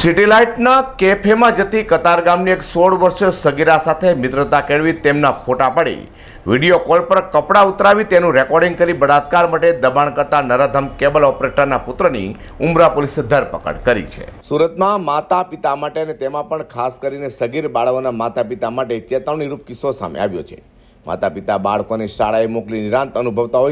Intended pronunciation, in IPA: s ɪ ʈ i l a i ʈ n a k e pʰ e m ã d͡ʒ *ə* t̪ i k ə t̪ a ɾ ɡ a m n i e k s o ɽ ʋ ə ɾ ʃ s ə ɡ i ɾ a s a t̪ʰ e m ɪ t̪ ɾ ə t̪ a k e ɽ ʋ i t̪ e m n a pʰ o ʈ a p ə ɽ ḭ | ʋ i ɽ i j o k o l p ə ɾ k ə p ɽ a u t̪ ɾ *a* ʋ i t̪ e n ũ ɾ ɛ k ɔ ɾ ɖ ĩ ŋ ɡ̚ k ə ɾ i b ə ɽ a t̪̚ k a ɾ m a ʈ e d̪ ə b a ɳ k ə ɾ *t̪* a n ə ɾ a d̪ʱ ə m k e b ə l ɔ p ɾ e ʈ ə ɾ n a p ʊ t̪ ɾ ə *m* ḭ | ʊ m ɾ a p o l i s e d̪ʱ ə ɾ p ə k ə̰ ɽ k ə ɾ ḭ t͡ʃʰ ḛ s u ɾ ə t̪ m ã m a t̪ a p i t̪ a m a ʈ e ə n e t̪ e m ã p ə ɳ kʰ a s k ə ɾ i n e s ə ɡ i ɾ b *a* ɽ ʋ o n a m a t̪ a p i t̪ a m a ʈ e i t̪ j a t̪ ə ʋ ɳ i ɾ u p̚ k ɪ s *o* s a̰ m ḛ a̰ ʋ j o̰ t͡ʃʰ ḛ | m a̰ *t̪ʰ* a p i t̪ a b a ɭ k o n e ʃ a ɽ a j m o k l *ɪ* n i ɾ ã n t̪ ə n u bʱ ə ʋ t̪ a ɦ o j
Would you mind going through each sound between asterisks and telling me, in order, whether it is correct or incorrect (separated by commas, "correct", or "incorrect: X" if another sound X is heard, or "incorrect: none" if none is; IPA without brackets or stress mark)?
correct, correct, correct, incorrect: n, correct, correct, incorrect: t̪, incorrect: i